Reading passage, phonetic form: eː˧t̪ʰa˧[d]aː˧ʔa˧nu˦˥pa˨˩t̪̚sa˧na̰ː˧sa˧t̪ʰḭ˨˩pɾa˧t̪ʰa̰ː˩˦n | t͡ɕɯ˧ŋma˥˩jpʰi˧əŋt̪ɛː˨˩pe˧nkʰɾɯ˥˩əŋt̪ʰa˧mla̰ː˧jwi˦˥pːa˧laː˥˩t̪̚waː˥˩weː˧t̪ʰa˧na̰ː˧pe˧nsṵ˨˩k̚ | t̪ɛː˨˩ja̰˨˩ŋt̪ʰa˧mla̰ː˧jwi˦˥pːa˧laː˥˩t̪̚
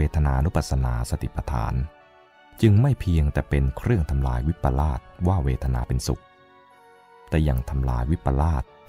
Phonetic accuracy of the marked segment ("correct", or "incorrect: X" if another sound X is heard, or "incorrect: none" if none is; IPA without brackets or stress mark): incorrect: n